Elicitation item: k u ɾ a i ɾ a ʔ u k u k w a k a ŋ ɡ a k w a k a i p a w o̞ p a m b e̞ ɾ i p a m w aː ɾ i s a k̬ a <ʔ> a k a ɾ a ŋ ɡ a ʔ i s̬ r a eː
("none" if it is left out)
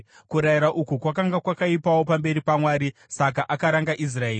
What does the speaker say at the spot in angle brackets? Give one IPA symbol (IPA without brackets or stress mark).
ʔ